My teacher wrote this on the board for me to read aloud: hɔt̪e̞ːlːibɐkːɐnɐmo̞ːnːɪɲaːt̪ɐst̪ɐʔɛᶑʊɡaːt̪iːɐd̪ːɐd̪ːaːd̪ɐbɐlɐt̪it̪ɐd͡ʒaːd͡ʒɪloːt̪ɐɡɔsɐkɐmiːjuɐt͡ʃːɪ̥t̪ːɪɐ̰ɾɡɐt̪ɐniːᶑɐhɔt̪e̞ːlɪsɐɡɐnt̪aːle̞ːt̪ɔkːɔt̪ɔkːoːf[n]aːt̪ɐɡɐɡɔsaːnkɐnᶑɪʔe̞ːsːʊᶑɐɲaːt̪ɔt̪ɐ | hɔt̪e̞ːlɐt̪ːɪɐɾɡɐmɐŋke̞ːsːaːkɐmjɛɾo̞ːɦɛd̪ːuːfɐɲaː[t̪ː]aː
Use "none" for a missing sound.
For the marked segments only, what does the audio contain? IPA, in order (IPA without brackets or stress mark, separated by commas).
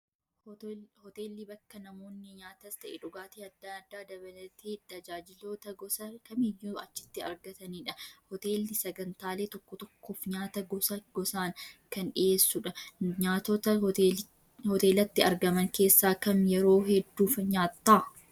ɲ, t̪ː